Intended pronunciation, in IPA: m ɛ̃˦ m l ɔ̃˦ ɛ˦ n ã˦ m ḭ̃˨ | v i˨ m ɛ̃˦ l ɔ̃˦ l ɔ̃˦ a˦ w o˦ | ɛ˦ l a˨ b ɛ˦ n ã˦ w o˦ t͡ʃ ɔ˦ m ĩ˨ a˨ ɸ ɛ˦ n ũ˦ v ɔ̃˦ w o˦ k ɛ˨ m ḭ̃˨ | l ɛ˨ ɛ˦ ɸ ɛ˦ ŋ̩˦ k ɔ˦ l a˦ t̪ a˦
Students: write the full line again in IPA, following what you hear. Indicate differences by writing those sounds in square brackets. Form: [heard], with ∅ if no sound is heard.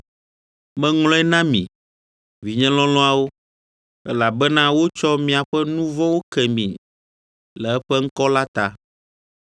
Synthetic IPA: m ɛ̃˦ [ŋ] l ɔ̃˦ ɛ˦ n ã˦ m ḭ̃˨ | v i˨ [ɲ] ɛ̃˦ l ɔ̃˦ l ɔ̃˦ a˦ w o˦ | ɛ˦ l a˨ b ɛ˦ n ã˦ w o˦ t͡ʃ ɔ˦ m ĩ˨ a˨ ɸ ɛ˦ n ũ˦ v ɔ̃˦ w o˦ k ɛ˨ m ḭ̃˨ | l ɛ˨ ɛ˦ ɸ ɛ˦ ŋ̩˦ k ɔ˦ l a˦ t̪ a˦

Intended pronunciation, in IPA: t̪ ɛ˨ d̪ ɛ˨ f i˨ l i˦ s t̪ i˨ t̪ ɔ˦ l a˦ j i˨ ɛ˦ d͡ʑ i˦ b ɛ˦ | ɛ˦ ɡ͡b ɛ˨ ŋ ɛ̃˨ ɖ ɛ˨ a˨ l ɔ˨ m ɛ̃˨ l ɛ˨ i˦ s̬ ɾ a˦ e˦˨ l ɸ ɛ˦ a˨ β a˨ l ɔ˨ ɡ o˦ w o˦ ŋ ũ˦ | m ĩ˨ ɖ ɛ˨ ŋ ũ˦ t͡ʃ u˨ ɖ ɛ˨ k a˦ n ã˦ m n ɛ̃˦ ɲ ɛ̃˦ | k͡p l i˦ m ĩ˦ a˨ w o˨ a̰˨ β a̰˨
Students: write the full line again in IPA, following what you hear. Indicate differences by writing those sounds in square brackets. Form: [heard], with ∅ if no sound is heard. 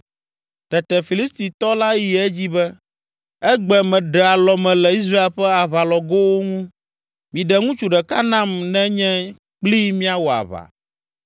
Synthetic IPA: t̪ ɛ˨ [t̪] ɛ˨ f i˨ l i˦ s t̪ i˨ t̪ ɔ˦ l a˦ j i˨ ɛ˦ d͡ʑ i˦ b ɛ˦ | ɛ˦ ɡ͡b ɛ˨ [m] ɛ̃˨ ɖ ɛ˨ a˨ l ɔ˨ m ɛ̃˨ l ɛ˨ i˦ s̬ ɾ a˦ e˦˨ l ɸ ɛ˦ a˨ β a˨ l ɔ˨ ɡ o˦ w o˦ ŋ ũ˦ | m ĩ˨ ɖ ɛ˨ ŋ ũ˦ t͡ʃ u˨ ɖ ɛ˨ k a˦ n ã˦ m n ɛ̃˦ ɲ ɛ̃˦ | k͡p l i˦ m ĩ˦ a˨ w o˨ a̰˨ β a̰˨

